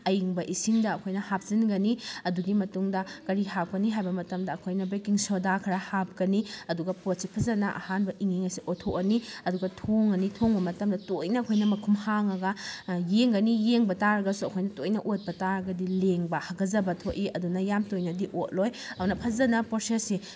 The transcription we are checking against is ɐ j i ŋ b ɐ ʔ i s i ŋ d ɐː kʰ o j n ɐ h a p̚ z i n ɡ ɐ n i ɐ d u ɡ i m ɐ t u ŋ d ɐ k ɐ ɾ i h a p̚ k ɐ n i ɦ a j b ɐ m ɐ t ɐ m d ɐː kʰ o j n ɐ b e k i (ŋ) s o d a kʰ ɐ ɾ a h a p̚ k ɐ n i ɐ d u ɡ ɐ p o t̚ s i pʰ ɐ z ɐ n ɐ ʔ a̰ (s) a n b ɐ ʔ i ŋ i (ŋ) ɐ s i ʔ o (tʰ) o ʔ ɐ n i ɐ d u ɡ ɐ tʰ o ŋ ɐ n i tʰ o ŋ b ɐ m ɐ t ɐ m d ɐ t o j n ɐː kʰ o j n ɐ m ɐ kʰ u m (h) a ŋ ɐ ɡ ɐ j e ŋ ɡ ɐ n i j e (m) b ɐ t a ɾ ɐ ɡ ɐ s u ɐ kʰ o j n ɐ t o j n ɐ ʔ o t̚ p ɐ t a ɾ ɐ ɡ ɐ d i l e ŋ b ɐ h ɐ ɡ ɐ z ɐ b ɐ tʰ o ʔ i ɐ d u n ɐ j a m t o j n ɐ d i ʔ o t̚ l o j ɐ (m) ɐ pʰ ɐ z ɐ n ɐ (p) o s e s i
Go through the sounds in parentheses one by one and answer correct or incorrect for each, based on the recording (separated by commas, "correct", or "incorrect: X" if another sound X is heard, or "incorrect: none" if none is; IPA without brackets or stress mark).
correct, incorrect: h, correct, correct, correct, incorrect: ŋ, incorrect: n, correct